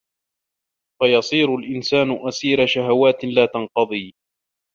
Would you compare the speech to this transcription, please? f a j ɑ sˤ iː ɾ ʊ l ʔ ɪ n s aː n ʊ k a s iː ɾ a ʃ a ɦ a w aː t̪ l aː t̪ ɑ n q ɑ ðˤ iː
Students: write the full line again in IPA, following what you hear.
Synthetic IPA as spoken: f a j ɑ sˤ iː ɾ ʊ l ʔ ɪ n s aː n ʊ ʔ a s iː ɾ a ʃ a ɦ a w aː t̪ l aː t̪ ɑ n q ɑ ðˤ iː